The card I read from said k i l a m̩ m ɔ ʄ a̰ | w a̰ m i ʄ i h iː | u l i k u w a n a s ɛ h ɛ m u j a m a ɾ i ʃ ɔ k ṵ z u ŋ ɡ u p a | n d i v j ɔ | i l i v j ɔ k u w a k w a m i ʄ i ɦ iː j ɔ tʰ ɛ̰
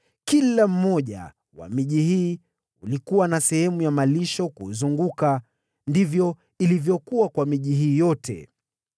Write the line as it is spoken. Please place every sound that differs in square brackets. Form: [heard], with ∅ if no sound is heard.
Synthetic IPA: k i l a m̩ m ɔ ʄ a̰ | w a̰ m i ʄ i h iː | u l i k u w a n a s ɛ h ɛ m u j a m a [l] i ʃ ɔ k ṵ z u ŋ ɡ u [k] a | n d i v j ɔ | i l i v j ɔ k u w a k w a m i ʄ i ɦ iː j ɔ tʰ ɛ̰